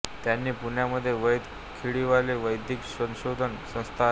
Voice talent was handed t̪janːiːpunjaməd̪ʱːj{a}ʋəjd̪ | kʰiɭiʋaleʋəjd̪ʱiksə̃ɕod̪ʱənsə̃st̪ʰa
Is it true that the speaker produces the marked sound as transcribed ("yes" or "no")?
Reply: no